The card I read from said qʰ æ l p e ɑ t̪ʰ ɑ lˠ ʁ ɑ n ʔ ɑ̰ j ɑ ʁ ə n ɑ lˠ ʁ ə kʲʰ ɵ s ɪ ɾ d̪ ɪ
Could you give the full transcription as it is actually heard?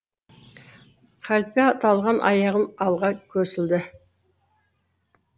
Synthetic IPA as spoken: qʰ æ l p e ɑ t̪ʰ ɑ lˠ ʁ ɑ n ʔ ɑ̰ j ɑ ʁ ə n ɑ lˠ ʁ ɑ kʲʰ ɵ s ɪ l d̪ ɪ